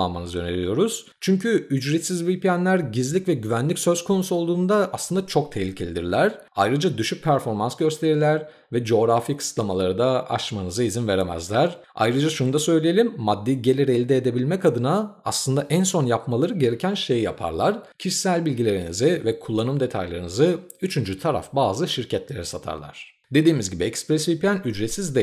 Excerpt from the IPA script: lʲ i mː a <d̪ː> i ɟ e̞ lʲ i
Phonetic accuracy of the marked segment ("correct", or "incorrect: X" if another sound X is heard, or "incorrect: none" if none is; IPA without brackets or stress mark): correct